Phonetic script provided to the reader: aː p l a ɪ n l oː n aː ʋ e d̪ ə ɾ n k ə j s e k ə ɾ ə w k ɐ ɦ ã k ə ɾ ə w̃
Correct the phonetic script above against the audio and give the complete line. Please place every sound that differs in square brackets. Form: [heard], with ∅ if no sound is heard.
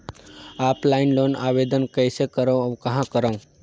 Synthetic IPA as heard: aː p l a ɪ n l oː n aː ʋ e d̪ ə [∅] n k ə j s e k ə ɾ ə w k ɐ ɦ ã k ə ɾ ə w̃